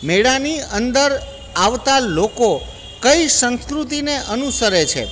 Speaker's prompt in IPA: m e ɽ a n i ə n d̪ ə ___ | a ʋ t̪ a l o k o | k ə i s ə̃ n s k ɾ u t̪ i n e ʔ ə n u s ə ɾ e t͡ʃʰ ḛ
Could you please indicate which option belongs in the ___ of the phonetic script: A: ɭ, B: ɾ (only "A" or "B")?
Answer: B